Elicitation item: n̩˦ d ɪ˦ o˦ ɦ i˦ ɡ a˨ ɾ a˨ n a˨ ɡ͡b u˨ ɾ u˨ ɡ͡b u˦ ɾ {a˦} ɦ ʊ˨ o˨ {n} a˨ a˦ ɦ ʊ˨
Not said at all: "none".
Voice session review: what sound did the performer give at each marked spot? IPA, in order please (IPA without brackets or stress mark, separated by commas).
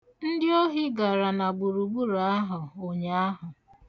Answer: a˦, ɲ